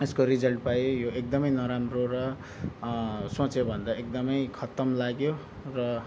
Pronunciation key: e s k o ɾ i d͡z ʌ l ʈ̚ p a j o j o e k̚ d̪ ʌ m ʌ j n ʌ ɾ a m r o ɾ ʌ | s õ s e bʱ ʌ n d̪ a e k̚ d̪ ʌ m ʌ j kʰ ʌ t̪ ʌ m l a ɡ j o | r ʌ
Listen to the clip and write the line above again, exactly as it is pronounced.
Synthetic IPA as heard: e s k o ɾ i d͡z ʌ l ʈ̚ p a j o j o e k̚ d̪ ʌ m ʌ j n ʌ ɾ a m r o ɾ ʌ | s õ t͡s e bʱ ʌ n d̪ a e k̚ d̪ ʌ m ʌ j kʰ ʌ t̪ ʌ m l a ɡ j o | r ʌ

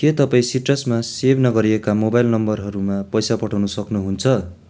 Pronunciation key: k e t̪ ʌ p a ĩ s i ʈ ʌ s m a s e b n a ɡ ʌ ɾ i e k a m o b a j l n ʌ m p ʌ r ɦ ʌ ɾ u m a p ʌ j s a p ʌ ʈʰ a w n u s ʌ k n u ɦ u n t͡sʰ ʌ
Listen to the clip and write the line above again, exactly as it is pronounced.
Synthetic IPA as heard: k e t̪ ʌ p a ĩ s i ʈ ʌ s m a s e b n ʌ ɡ ʌ ɾ i e k a m o b a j l n ʌ m b ʌ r ɦ ʌ ɾ u m a p ʌ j s a p ʌ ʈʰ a w n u s ʌ k n u ɦ u n t͡sʰ ʌ

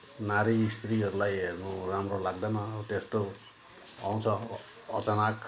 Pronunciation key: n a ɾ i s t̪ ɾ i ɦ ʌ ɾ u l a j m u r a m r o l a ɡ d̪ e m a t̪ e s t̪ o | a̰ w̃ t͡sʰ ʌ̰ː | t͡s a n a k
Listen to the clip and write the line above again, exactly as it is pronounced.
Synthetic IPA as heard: n a ɾ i s t̪ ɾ i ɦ ʌ ɾ u l a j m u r a m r o l a ɡ d̪ a m a t̪ e s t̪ o | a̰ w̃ t͡sʰ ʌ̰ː | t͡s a n a k

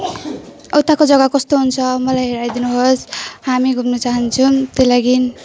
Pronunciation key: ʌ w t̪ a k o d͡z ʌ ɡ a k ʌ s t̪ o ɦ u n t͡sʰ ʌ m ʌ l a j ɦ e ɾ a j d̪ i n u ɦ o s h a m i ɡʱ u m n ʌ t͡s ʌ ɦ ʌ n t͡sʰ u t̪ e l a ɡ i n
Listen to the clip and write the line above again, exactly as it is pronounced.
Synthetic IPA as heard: ʌ w t̪ a k o d͡z ʌ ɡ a k ʌ s t̪ o ɦ u n t͡sʰ ʌ m ʌ l a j ɦ e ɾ a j d̪ i n u ɦ o s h a m i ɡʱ u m n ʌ t͡s a ɦ ʌ n t͡sʰ u t̪ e l a ɡ i n

